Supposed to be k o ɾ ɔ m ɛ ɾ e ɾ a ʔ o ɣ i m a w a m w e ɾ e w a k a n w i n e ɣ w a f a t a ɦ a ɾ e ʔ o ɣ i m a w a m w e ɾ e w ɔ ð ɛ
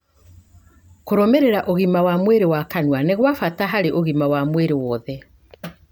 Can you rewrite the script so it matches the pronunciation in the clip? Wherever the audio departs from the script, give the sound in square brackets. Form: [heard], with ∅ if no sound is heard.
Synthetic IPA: k o ɾ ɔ m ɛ ɾ e ɾ a ʔ o ɣ i m a w a m w e ɾ e w a k a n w [a] n e ɣ w a f a t a ɦ a ɾ e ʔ o ɣ i m a w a m w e ɾ e w ɔ ð ɛ